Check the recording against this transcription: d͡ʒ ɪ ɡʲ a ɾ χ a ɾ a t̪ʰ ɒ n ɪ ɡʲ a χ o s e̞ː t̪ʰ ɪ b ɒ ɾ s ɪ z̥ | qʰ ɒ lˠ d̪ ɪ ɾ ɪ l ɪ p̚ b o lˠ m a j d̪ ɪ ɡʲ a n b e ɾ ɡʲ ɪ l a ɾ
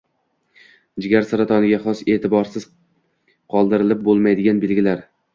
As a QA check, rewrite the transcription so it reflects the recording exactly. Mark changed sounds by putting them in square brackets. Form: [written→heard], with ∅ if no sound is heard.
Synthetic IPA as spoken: d͡ʒ ɪ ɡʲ a ɾ [χ→s] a ɾ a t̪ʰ ɒ n ɪ ɡʲ a χ [o→ɒ] s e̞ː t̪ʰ ɪ b ɒ ɾ s ɪ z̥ | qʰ ɒ lˠ d̪ ɪ ɾ ɪ l ɪ p̚ b o lˠ m a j d̪ ɪ ɡʲ a n b e [ɾ→l] ɡʲ ɪ l a ɾ

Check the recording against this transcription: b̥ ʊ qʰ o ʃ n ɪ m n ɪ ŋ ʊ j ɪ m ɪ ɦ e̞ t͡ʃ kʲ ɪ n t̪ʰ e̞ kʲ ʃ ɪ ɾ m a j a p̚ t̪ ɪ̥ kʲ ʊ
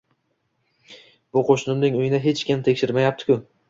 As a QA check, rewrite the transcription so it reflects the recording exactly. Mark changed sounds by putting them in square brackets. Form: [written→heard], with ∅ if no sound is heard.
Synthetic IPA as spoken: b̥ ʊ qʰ o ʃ n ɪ m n ɪ ŋ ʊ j ɪ [m→n] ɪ ɦ e̞ t͡ʃ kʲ ɪ [n→m] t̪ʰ e̞ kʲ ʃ ɪ ɾ m a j a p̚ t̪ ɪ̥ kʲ ʊ

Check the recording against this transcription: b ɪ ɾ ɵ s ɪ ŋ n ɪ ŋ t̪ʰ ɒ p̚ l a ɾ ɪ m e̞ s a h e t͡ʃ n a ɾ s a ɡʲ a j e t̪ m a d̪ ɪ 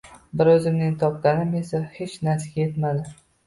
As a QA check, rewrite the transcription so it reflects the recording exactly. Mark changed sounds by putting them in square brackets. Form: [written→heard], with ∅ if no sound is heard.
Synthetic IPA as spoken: b ɪ ɾ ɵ [s→z] ɪ [ŋ→m] n ɪ ŋ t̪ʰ ɒ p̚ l a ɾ ɪ m e̞ s a h e t͡ʃ n a ɾ s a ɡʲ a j e t̪ m a d̪ ɪ

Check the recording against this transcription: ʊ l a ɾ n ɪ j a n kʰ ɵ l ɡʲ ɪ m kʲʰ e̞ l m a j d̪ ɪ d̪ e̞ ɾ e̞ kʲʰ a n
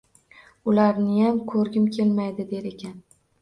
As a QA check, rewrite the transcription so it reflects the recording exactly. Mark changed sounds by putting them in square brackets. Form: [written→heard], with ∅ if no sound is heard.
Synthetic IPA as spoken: ʊ l a ɾ n ɪ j a [n→m] kʰ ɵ [l→ɾ] ɡʲ ɪ m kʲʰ e̞ l m a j d̪ ɪ d̪ e̞ ɾ e̞ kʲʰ a n

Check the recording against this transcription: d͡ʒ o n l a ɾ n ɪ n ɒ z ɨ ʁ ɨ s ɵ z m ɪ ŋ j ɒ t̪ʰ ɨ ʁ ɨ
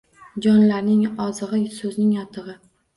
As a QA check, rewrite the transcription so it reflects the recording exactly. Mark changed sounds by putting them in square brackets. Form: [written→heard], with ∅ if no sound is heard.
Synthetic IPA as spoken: d͡ʒ [o→ɒ] n l a ɾ n ɪ [n→ŋ] ɒ z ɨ ʁ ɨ s ɵ z [m→n] ɪ ŋ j ɒ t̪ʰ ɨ ʁ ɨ

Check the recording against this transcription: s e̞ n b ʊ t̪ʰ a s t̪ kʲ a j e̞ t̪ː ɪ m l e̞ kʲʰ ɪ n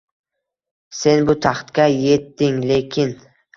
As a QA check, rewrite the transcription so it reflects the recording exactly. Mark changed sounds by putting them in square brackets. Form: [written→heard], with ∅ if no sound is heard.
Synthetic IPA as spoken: s e̞ n b ʊ t̪ʰ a [s→χ] t̪ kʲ a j e̞ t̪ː ɪ [m→ŋ] l e̞ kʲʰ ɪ n

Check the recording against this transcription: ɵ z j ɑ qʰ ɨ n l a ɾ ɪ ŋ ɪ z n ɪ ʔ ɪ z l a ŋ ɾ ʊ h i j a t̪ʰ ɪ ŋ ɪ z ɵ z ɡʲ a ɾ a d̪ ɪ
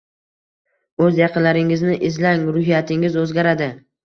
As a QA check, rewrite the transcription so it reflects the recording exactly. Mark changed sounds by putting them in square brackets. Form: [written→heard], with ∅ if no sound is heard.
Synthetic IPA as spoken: ɵ z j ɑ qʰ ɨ n l a ɾ ɪ ŋ ɪ z n ɪ ʔ ɪ z l a ŋ ɾ ʊ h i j a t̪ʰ ɪ ŋ ɪ z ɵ z ɡʲ a ɾ a d̪ ɪ

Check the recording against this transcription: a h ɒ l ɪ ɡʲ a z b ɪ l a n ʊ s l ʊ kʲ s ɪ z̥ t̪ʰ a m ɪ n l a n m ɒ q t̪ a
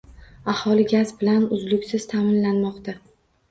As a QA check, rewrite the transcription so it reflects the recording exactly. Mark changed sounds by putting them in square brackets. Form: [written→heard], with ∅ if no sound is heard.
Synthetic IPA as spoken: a h ɒ l ɪ ɡʲ a z b ɪ l a n ʊ [s→z] l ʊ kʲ s ɪ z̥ t̪ʰ a m ɪ n l a n m ɒ q t̪ a

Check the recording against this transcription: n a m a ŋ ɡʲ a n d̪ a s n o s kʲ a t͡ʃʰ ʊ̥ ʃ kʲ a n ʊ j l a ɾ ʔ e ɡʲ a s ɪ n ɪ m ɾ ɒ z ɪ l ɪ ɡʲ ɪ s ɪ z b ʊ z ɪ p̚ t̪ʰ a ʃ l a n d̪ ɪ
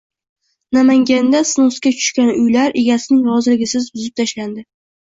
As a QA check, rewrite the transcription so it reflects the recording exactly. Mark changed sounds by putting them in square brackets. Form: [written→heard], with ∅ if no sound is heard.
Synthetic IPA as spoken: n a m a ŋ ɡʲ a n d̪ a s n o s kʲ a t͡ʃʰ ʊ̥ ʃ kʲ a n ʊ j l a ɾ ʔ e ɡʲ a s ɪ n ɪ [m→ŋ] ɾ ɒ z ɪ l ɪ ɡʲ ɪ s ɪ z b ʊ z ɪ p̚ t̪ʰ a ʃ l a n d̪ ɪ

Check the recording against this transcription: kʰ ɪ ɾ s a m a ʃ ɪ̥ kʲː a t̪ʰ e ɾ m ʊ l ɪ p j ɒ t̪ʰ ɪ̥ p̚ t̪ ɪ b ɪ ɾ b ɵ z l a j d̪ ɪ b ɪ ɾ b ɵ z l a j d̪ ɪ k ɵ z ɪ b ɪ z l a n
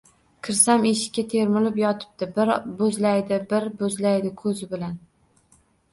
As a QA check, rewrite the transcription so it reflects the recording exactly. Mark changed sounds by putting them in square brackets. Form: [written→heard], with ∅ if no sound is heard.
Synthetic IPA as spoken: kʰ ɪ ɾ s a m [a→e] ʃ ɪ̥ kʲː a t̪ʰ e ɾ m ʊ l ɪ p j ɒ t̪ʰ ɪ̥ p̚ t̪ ɪ b ɪ ɾ b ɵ z l a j d̪ ɪ b ɪ ɾ b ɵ z l a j d̪ ɪ [k→kʰ] ɵ z ɪ b ɪ [z→∅] l a n

